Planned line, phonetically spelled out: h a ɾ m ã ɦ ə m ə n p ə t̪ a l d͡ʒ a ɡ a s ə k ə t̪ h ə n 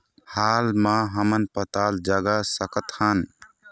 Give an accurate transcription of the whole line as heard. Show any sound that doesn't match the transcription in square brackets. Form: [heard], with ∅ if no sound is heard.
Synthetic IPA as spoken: h a [l] m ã ɦ ə m ə n p ə t̪ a l d͡ʒ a ɡ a s ə k ə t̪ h ə n

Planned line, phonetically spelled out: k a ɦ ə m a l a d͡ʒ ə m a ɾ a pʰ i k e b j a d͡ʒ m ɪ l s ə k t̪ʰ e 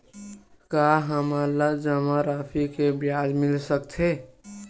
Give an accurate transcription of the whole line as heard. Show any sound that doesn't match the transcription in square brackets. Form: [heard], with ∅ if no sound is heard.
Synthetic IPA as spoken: k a ɦ ə m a l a d͡ʒ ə m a ɾ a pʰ i k e b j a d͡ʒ m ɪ l s ə k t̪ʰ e

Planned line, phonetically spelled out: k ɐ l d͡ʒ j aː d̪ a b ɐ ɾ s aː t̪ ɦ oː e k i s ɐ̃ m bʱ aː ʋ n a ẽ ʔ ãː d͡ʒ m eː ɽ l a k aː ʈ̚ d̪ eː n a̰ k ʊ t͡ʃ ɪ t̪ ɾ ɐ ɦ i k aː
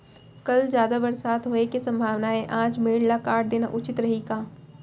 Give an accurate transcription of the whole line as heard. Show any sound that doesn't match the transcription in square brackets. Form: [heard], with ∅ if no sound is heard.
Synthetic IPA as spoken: k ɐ l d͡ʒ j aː d̪ a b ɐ ɾ s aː t̪ ɦ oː e k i s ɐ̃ m bʱ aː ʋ n a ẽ ʔ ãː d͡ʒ m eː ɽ l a k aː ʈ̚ d̪ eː n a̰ [ʔ] ʊ t͡ʃ ɪ t̪ ɾ ɐ ɦ i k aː

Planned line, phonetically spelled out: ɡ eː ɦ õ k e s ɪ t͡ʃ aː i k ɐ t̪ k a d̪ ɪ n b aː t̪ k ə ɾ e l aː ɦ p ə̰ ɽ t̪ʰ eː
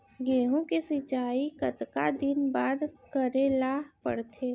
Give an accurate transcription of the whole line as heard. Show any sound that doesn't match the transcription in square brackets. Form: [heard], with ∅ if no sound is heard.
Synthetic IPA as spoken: ɡ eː ɦ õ k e s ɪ t͡ʃ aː i k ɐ t̪ k a d̪ ɪ n b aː [d̪] k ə ɾ e l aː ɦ p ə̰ ɽ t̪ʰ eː

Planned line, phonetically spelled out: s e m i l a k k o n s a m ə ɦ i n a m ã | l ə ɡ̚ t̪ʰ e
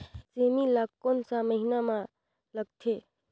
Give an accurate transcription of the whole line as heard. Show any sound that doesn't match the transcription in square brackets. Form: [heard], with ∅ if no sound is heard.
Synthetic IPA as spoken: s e m i l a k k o n s a m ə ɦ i n a m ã | l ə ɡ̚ t̪ʰ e

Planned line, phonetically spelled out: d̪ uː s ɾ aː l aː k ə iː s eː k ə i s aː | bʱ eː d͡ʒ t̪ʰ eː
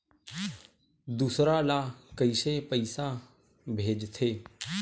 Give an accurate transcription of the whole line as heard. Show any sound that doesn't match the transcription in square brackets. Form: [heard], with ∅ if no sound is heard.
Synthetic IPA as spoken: d̪ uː s ɾ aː l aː k ə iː s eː [p] ə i s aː | bʱ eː d͡ʒ t̪ʰ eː

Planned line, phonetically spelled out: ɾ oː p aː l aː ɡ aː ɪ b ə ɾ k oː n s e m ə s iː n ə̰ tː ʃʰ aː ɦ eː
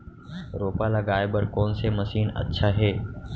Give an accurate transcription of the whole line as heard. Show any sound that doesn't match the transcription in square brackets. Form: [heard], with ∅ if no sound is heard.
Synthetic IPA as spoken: ɾ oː p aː l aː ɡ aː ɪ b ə ɾ k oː n s e m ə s iː n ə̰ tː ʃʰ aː ɦ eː

